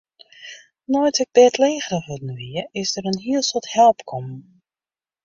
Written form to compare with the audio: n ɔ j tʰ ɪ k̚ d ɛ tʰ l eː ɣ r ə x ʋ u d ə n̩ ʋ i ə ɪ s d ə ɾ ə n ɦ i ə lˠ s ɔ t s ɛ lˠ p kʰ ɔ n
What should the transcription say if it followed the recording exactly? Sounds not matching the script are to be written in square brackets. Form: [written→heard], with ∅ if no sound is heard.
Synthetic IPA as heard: n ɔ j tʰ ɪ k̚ d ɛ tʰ l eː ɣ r ə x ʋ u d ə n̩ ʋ i ə ɪ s d ə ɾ ə n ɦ i ə lˠ s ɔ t [s→h] ɛ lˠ p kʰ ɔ [n→m]